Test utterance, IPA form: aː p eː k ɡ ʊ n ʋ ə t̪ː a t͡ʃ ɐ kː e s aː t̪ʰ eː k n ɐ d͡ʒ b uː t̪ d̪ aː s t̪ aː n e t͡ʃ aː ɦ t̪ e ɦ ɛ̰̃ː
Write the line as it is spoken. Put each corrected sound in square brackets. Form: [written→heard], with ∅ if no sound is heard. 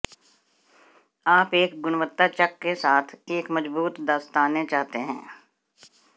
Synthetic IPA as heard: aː p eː k ɡ ʊ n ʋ ə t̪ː a t͡ʃ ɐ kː e s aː t̪ʰ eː k [n→m] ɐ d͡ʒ b uː t̪ d̪ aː s t̪ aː n e t͡ʃ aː ɦ t̪ e ɦ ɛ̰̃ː